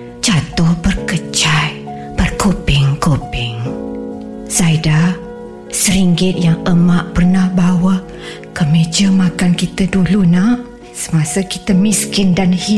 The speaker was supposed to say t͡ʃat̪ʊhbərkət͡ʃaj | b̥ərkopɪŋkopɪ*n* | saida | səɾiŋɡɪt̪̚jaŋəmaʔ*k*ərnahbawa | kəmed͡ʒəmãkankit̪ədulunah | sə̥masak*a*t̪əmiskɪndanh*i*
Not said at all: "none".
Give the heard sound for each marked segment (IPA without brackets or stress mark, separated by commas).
ŋ, p, i, i